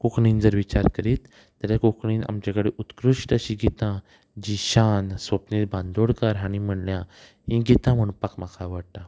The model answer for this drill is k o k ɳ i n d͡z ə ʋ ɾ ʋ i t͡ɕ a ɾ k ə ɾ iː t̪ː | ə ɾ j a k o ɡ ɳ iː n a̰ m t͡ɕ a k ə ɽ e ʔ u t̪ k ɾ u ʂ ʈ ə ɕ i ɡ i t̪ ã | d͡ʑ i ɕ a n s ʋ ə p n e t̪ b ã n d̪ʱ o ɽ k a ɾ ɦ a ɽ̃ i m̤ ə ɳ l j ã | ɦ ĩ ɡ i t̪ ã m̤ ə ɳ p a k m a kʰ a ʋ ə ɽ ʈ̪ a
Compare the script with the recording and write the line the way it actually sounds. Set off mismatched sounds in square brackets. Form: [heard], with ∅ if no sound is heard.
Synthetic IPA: k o k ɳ i n d͡z ə [∅] ɾ ʋ i t͡ɕ a ɾ k ə ɾ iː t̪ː | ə ɾ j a k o [k] ɳ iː n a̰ m t͡ɕ a k ə ɽ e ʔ u t̪ k ɾ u ʂ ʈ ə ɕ i ɡ i t̪ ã | d͡ʑ i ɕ a n s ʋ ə p n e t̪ b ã n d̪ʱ o ɽ k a ɾ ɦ a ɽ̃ i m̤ ə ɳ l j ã | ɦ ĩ ɡ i t̪ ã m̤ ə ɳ p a k m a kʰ a ʋ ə ɽ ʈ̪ a